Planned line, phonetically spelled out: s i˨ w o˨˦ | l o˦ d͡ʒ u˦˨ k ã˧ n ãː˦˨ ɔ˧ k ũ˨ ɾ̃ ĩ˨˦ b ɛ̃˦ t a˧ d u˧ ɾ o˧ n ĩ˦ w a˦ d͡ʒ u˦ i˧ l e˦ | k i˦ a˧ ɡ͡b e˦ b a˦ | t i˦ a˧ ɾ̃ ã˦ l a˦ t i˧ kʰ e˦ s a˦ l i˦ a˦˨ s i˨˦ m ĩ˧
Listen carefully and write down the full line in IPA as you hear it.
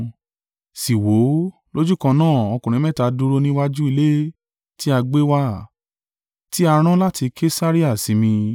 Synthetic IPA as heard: s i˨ w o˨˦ | l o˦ d͡ʒ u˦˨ k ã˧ n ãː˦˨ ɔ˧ k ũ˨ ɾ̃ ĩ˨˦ m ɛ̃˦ t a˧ d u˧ ɾ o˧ n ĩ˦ w a˦ d͡ʒ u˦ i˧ l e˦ | t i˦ a˧ ɡ͡b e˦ w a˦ | t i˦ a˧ ɾ̃ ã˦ l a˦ t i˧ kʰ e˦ s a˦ ɾ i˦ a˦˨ s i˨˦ m ĩ˧